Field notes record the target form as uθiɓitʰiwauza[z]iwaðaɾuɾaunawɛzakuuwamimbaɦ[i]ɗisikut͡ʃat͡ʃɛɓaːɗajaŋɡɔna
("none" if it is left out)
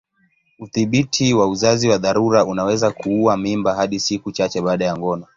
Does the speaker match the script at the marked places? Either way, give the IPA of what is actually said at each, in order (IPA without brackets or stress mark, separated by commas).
z, a